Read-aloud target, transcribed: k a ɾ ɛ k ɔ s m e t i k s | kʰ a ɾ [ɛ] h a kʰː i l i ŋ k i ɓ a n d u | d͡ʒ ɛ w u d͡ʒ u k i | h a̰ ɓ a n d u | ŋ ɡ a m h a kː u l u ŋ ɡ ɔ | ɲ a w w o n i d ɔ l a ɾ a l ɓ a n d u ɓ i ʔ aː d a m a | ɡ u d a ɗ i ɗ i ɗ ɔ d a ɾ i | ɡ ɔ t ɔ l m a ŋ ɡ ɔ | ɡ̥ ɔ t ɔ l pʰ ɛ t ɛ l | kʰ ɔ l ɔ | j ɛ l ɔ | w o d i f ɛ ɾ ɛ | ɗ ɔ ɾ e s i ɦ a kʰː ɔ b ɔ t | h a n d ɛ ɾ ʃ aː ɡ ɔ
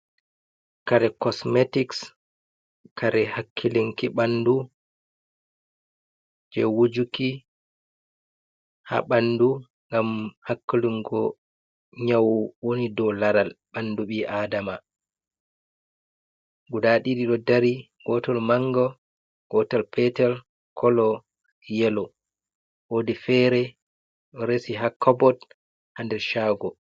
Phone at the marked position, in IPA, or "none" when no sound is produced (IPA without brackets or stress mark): ɛ